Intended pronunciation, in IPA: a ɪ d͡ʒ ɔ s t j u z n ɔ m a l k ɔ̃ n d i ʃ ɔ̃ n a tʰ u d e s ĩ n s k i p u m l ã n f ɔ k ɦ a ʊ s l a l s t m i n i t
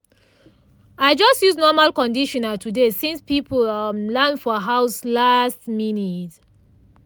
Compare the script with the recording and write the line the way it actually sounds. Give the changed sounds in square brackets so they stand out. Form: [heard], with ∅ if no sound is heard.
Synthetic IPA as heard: a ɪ d͡ʒ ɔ s t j u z n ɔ m a l k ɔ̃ n d i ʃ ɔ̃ n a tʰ u d e s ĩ n s [p] i p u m l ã n f ɔ [∅] ɦ a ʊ s l a [∅] s t m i n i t